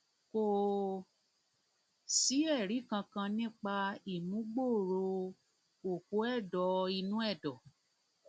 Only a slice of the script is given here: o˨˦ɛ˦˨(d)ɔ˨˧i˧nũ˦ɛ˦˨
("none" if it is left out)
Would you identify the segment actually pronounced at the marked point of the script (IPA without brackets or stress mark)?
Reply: d